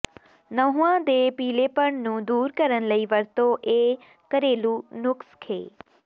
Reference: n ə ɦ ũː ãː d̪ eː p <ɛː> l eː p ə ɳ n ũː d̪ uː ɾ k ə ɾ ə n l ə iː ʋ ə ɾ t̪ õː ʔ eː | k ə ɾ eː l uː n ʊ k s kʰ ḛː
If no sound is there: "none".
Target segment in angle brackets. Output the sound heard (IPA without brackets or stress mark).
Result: iː